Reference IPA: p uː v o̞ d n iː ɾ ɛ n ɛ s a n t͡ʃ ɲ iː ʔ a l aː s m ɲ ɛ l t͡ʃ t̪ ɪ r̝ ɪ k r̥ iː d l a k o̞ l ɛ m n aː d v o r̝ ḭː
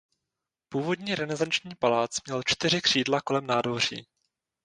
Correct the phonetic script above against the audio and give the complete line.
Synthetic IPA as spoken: p uː v o̞ d ɲ iː ɾ ɛ n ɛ z a n t͡ʃ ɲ iː p a l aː t͡s m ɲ ɛ l t͡ʃ t̪ ɪ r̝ ɪ k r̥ iː d l a k o̞ l ɛ m n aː d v o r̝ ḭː